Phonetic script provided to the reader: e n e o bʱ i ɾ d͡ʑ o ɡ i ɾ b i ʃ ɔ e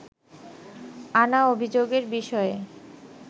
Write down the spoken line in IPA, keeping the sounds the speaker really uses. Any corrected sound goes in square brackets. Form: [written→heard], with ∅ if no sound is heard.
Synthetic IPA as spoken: [e→a] n [e→a] o bʱ i [ɾ→∅] d͡ʑ o ɡ [i→e] ɾ b i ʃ ɔ e